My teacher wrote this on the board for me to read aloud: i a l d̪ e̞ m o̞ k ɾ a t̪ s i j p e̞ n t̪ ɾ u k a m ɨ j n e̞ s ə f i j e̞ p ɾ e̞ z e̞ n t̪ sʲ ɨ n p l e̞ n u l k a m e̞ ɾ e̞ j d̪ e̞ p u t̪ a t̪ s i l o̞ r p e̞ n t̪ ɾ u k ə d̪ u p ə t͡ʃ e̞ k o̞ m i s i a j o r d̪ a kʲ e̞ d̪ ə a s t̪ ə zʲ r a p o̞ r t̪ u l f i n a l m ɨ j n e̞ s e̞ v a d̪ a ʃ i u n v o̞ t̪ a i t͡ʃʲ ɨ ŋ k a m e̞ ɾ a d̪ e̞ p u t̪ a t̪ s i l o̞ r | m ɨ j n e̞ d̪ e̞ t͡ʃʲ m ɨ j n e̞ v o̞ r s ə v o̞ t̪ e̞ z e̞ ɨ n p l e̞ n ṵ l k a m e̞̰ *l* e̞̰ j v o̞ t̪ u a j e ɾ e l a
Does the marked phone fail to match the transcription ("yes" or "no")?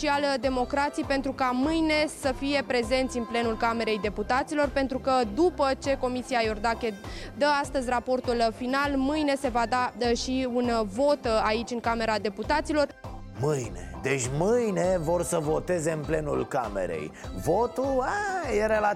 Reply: yes